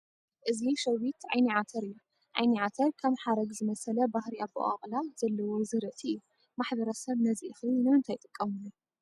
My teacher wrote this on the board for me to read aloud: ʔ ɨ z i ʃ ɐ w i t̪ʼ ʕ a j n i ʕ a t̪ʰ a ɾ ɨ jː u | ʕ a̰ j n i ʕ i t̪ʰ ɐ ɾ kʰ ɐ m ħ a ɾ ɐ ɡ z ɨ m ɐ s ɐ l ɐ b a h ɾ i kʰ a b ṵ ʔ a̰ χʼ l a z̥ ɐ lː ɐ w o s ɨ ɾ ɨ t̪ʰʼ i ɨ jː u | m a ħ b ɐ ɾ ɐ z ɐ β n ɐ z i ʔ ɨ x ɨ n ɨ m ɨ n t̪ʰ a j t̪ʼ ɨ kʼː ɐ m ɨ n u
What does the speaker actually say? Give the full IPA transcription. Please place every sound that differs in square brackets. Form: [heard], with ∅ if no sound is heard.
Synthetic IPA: ʔ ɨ z i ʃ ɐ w i [t̪] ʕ a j n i ʕ a t̪ʰ [ɐ] ɾ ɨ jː u | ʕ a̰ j n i ʕ [a] t̪ʰ ɐ ɾ kʰ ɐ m ħ a ɾ ɐ ɡ z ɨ m ɐ s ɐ l ɐ b a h ɾ i [∅] a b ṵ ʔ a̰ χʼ l a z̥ ɐ lː ɐ w o [z] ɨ ɾ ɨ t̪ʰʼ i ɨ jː u | m a ħ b ɐ ɾ ɐ [s] ɐ β n ɐ z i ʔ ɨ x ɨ n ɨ m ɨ n t̪ʰ a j t̪ʼ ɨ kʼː ɐ m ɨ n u